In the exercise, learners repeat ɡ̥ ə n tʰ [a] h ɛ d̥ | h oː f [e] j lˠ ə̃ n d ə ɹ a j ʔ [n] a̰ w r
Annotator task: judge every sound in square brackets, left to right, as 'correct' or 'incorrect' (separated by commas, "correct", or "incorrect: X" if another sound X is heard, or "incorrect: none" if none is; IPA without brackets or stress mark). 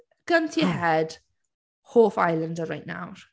incorrect: i, incorrect: a, correct